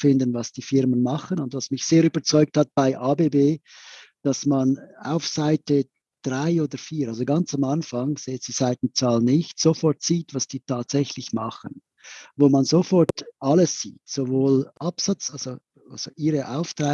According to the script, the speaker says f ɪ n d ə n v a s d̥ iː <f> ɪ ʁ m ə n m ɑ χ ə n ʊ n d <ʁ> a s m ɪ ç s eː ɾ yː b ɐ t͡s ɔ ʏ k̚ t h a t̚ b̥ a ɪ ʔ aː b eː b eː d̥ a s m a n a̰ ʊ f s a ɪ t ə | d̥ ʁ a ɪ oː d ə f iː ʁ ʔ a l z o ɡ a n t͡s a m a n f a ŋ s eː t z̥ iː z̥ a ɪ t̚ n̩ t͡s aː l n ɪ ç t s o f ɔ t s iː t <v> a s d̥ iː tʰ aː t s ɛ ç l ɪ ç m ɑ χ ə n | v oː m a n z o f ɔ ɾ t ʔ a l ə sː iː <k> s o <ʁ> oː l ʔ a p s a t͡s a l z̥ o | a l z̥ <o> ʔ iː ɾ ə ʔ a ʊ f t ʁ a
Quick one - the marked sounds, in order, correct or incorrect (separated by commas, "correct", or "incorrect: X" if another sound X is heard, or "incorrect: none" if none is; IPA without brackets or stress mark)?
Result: correct, incorrect: v, correct, incorrect: t, incorrect: v, correct